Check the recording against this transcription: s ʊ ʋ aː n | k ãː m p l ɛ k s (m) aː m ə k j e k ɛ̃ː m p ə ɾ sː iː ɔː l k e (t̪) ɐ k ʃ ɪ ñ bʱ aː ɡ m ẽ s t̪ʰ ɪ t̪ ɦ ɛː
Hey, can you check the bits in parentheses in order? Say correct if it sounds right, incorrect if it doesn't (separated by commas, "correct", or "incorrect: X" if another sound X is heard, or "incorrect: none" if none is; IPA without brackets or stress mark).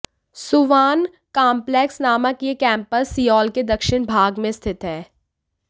incorrect: n, incorrect: d̪